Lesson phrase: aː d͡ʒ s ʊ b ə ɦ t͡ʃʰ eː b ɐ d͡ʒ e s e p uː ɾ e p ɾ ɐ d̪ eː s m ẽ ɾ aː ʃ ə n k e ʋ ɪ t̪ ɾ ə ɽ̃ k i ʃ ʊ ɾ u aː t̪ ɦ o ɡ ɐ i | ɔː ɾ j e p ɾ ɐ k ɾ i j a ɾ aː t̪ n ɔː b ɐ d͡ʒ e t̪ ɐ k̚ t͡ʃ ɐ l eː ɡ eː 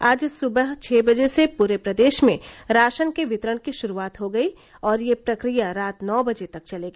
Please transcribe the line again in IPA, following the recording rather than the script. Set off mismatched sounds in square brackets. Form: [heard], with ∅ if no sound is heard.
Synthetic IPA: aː d͡ʒ s ʊ b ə ɦ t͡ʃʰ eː b ɐ d͡ʒ e s e p uː ɾ e p ɾ ɐ d̪ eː [ʃ] m ẽ ɾ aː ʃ ə n k e ʋ ɪ t̪ ɾ ə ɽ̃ k i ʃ ʊ ɾ u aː t̪ ɦ o ɡ ɐ i | ɔː ɾ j e p ɾ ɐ k ɾ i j a ɾ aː t̪ n ɔː b ɐ d͡ʒ e t̪ ɐ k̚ t͡ʃ ɐ l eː ɡ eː

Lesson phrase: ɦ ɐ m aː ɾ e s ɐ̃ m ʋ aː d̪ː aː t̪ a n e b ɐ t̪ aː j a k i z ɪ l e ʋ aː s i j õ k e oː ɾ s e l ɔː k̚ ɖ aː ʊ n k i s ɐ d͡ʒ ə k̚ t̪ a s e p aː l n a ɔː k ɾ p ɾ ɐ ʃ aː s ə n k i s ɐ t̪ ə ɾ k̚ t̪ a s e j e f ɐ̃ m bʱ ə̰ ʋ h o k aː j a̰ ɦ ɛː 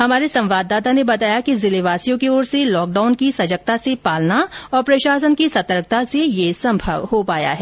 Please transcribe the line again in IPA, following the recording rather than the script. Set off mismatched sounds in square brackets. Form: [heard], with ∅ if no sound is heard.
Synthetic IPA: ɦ ɐ m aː ɾ e s ɐ̃ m ʋ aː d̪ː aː t̪ a n e b ɐ t̪ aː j a k i z ɪ l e ʋ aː s i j õ k e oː ɾ s e l ɔː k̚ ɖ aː ʊ n k i s ɐ d͡ʒ ə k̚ t̪ a s e p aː l n a ɔː [∅] ɾ p ɾ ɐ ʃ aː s ə n k i s ɐ t̪ ə ɾ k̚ t̪ a s e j e [s] ɐ̃ m bʱ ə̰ ʋ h o [p] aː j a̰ ɦ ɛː

